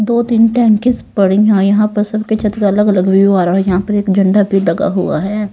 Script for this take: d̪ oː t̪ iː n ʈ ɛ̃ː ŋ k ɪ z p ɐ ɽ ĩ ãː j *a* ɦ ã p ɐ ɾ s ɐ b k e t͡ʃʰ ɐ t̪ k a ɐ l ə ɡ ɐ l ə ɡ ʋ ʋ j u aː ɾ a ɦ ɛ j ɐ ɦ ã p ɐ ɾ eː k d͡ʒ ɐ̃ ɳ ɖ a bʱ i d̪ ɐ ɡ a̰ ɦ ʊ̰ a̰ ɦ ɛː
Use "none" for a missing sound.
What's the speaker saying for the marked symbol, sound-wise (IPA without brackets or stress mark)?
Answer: ɐ